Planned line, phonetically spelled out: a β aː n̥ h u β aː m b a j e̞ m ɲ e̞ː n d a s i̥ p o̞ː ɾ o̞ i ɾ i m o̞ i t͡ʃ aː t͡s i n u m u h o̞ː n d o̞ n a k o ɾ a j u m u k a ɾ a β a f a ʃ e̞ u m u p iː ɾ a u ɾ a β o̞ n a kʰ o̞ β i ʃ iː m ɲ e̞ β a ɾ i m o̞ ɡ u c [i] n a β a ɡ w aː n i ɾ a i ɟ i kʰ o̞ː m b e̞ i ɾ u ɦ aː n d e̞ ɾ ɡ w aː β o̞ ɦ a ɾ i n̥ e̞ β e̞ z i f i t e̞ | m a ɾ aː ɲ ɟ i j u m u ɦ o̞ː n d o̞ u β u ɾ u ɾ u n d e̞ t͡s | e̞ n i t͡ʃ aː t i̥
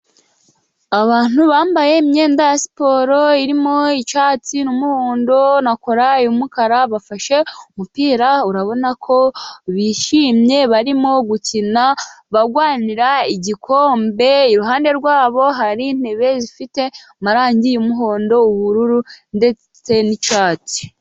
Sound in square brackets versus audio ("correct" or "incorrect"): correct